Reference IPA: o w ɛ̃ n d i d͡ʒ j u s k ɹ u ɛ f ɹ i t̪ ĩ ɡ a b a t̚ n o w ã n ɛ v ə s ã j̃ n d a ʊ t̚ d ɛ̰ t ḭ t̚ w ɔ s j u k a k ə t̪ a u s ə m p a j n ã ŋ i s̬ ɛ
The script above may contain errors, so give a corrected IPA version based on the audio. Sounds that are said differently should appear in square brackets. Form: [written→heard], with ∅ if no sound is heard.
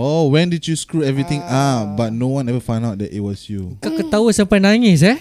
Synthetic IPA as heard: o w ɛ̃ n d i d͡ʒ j u s k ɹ u ɛ [f→v] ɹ i t̪ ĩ [ɡ→ŋ] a b a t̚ n o w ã n ɛ v ə [s→f] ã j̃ n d a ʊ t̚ d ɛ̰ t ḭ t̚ w ɔ s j u k a k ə t̪ a u s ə m p a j n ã ŋ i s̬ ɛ